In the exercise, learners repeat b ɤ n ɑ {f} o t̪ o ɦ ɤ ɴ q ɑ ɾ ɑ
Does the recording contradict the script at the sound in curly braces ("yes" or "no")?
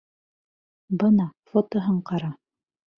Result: no